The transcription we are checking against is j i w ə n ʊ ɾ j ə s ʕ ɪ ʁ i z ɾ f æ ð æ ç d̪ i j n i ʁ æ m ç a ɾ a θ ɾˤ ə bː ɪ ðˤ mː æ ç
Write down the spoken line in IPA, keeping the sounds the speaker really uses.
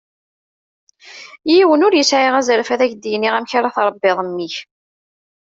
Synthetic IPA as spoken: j i w ə n ʊ ɾ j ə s ʕ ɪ ʁ æ z ɾ f æ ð æ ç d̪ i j n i ʁ æ m ç a ɾ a θ ɾˤ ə bː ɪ ðˤ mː i ç